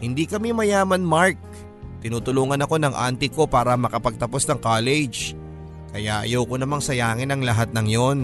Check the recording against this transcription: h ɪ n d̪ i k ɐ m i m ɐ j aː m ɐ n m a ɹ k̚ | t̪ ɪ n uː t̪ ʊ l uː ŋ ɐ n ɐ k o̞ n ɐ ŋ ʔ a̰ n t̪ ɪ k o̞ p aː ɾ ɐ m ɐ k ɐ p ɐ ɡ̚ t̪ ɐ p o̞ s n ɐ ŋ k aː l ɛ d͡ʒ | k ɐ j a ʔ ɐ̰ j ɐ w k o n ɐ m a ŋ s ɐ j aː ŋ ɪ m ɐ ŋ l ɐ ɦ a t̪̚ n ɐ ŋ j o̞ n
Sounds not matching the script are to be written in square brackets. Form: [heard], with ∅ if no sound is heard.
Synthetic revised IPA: h ɪ n d̪ i k ɐ m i m ɐ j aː m ɐ n m a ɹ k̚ | t̪ ɪ n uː t̪ ʊ l uː ŋ ɐ n ɐ k o̞ n ɐ ŋ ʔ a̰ n t̪ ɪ k o̞ p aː ɾ ɐ m ɐ k ɐ p ɐ ɡ̚ t̪ ɐ p o̞ s n ɐ ŋ k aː l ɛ d͡ʒ | k ɐ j a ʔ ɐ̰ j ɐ w k o n ɐ m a ŋ s ɐ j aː ŋ ɪ [n] ɐ ŋ l ɐ ɦ a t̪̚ n ɐ ŋ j o̞ n